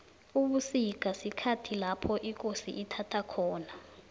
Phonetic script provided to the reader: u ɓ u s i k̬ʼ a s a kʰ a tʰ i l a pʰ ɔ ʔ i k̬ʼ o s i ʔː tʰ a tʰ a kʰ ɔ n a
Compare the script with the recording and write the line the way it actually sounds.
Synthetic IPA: u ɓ u s i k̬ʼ a s i kʰ a tʰ i l a pʰ ɔ ʔ i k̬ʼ o s i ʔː tʰ a tʰ a kʰ ɔː n a